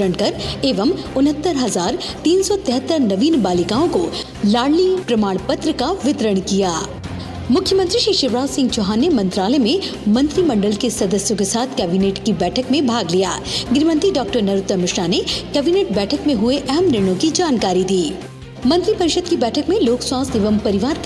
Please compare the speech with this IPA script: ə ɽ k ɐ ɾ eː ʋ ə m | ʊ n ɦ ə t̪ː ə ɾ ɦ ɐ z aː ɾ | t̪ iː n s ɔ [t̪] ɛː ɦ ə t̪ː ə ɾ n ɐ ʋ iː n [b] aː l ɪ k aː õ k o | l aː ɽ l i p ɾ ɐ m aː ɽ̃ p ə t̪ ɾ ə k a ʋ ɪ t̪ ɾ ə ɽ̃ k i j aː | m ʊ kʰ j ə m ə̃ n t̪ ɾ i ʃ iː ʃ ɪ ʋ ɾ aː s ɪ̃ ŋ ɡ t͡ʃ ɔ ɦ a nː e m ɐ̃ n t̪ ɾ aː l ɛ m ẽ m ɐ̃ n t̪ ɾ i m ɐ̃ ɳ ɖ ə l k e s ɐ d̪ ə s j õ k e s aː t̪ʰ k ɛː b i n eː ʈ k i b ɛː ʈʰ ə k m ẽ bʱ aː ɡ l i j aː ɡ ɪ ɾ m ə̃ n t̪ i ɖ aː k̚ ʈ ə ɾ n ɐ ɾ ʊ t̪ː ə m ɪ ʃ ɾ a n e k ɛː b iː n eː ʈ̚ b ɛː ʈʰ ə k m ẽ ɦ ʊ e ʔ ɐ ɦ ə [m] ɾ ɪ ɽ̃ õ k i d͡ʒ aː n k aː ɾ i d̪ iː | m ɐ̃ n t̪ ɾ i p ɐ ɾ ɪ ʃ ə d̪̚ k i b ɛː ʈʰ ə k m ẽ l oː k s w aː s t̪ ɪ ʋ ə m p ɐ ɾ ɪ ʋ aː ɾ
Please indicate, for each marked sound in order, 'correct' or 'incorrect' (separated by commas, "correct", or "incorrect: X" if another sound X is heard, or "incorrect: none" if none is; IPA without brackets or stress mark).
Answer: correct, correct, correct